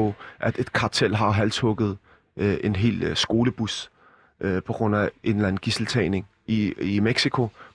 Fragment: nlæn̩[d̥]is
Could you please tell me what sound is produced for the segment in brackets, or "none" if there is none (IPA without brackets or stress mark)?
ɡ̥